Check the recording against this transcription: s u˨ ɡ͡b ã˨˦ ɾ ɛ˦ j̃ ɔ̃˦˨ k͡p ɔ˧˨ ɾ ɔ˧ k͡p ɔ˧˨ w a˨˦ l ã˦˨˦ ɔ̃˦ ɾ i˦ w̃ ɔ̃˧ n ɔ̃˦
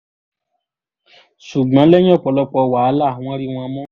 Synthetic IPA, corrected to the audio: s u˨ ɡ͡b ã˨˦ l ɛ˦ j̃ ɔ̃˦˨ k͡p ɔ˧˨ l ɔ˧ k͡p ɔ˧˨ w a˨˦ l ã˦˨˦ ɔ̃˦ ɾ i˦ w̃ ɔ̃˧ m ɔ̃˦